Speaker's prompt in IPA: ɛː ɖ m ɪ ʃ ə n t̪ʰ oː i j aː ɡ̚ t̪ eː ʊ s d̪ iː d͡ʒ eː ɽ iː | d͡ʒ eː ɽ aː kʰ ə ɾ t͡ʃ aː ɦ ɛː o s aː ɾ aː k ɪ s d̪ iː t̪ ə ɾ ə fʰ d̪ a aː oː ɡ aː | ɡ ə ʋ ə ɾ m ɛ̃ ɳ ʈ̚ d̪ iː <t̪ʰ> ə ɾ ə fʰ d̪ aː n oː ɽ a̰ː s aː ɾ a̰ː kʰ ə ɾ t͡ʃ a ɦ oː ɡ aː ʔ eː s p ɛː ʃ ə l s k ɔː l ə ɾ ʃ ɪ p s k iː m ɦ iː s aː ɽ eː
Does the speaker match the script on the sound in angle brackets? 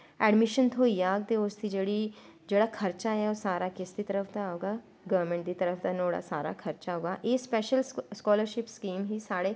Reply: no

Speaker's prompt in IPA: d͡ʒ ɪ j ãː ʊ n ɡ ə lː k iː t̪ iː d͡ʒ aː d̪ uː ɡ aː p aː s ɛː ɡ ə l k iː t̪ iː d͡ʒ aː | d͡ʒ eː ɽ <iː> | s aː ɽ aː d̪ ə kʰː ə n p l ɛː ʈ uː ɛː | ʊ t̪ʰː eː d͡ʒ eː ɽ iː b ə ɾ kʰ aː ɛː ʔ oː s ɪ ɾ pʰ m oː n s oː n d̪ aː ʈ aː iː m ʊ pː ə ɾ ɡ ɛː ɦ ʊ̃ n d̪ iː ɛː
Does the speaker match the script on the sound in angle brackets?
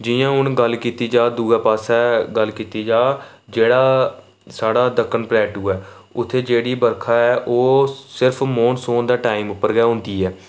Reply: no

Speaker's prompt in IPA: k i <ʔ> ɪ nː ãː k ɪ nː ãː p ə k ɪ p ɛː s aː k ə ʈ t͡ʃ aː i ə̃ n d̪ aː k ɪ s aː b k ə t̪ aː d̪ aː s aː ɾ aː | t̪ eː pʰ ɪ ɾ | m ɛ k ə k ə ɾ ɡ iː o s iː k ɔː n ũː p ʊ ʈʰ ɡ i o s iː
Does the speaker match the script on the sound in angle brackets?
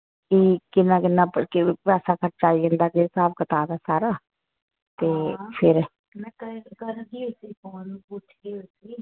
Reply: no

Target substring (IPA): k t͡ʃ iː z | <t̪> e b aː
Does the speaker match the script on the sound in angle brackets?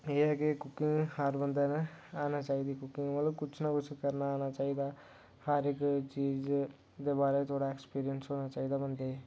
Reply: no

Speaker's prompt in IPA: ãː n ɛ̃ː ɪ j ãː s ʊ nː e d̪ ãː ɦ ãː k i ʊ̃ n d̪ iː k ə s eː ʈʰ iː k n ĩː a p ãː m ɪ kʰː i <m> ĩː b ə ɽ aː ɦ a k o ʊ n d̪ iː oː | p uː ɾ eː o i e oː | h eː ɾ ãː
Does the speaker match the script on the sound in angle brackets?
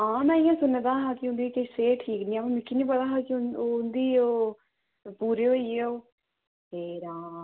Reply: no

